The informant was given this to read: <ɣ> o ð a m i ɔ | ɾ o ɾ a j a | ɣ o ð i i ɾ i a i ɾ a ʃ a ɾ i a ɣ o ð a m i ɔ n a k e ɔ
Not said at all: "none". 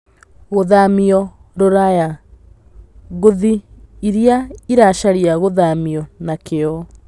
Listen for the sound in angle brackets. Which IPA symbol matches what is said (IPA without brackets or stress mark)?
ɣ